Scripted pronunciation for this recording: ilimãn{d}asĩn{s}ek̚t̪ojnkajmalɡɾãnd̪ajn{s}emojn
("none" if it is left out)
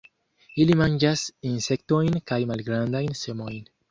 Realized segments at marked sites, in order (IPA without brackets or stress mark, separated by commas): d͡ʒ, s, s